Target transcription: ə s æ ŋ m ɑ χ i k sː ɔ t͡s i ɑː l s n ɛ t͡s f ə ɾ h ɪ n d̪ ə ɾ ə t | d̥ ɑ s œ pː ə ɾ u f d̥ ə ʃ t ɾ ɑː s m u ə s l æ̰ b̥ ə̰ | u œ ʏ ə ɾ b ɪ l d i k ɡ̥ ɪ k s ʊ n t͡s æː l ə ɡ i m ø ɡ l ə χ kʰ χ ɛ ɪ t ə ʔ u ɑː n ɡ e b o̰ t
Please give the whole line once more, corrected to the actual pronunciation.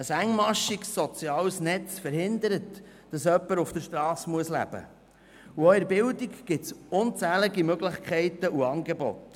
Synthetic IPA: ə s æ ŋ m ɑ ʃ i k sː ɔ t͡s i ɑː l s n ɛ t͡s f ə ɾ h ɪ n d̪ ə ɾ ə t | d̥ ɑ s œ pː ə ɾ u f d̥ ə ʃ t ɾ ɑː s m u ə s l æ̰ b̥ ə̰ | u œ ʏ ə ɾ b ɪ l d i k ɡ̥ ɪ t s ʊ n t͡s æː l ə ɡ i m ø ɡ l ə χ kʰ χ ɛ ɪ t ə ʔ u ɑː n ɡ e b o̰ t